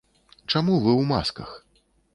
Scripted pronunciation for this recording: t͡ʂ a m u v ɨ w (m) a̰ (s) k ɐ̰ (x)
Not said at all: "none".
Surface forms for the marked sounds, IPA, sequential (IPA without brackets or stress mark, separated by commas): m, s, x